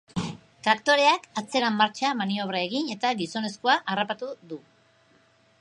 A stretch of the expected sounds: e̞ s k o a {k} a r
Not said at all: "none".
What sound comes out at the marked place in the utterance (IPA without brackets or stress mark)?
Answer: ʔ